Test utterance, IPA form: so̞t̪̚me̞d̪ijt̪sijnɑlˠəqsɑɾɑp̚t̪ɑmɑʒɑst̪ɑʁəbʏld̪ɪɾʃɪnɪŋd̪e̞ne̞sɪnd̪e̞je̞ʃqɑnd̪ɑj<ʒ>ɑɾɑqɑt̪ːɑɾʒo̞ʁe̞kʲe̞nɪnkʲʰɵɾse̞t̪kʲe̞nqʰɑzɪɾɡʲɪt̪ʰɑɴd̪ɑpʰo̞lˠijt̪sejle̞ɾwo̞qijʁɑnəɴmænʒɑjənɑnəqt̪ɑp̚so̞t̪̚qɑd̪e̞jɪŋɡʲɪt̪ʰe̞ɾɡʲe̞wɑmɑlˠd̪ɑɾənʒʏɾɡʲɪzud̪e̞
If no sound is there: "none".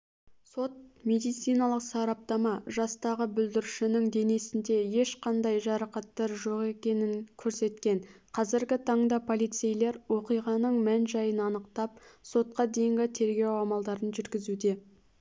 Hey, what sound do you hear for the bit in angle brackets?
ʒ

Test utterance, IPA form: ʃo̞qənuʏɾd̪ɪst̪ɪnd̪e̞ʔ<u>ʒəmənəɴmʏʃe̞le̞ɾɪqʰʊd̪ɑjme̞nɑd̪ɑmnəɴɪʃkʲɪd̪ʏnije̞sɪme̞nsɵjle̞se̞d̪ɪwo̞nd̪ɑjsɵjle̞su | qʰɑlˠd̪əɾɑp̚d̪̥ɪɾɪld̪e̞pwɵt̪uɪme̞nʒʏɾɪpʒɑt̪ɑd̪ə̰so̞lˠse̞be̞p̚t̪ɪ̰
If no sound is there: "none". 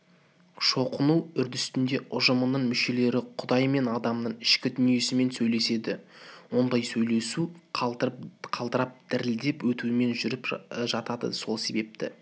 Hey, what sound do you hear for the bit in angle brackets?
ʊ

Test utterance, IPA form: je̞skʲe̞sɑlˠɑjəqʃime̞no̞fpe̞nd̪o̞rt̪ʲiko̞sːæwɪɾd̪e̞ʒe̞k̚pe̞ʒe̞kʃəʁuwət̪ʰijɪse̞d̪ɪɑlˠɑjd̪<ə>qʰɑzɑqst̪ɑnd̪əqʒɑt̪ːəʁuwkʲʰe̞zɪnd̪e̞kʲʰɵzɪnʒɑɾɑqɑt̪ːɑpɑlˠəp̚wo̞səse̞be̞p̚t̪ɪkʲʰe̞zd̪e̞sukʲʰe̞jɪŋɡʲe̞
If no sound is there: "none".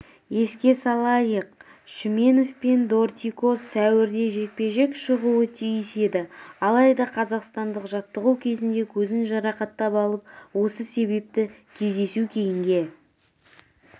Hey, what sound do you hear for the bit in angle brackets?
ɑ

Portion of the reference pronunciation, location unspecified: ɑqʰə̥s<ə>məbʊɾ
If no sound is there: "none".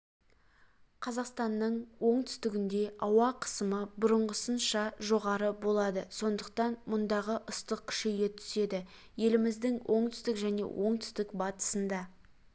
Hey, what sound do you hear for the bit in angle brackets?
ə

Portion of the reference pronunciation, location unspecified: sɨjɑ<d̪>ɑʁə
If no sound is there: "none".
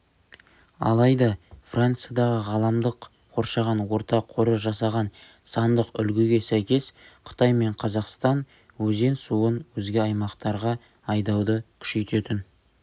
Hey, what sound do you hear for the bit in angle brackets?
d̪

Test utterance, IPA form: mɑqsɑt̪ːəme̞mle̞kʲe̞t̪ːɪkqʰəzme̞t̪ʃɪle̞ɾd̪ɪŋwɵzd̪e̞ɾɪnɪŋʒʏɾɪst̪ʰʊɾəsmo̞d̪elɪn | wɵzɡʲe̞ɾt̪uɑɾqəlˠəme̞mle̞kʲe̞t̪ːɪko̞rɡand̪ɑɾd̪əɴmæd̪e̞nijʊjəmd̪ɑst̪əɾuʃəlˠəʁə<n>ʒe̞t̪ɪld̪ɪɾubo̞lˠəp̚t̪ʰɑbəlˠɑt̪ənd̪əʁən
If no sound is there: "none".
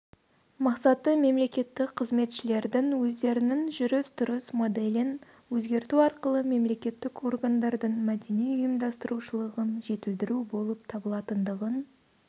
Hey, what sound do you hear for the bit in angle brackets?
n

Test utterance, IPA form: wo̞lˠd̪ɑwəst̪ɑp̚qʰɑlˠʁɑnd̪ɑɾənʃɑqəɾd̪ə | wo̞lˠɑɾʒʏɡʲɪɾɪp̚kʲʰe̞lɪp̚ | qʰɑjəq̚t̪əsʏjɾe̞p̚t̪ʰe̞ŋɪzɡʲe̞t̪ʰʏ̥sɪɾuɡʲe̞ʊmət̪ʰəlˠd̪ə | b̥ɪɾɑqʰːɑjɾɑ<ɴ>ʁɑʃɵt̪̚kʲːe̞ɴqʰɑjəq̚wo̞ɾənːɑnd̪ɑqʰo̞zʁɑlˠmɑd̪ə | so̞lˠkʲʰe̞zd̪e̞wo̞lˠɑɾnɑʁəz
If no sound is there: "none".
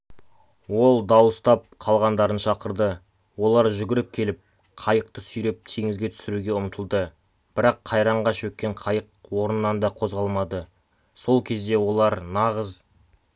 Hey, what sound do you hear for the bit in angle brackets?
ɴ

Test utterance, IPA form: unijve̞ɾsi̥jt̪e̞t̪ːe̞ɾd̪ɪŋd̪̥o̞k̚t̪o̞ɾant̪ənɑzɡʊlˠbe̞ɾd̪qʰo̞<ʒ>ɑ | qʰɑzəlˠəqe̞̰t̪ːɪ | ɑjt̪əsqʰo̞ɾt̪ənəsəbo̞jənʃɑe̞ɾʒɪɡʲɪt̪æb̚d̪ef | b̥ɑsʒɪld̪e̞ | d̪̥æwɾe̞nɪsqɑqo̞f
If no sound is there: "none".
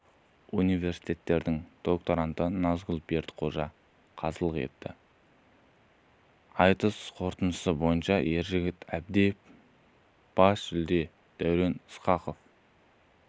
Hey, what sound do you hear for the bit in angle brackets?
ʒ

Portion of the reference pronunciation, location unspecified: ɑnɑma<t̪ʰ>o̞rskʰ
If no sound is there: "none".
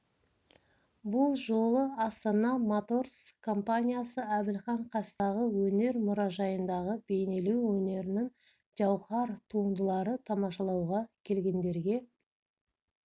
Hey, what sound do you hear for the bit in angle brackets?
t̪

